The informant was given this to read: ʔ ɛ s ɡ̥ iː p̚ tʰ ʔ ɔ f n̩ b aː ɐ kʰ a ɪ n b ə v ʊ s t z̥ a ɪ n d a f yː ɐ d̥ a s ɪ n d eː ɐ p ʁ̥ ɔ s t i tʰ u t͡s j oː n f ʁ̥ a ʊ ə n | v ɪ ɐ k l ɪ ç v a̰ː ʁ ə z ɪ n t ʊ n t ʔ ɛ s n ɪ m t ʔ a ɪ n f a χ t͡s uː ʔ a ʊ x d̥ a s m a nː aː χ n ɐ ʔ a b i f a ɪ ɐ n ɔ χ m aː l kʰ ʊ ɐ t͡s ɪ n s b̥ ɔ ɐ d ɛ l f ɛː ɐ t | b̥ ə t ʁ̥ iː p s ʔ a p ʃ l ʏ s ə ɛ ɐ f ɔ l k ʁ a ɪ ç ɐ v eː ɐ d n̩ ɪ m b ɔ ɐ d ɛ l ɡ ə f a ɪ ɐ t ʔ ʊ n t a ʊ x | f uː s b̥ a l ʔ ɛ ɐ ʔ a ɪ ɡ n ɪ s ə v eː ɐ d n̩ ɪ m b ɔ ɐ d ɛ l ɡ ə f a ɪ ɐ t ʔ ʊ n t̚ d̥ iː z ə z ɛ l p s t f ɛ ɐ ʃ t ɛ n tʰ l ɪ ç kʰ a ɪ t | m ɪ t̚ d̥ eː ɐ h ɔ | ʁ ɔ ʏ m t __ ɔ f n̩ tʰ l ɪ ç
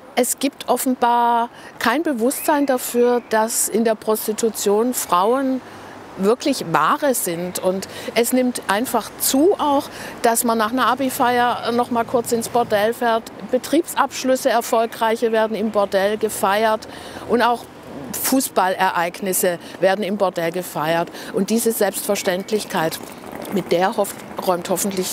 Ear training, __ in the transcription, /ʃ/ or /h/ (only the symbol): h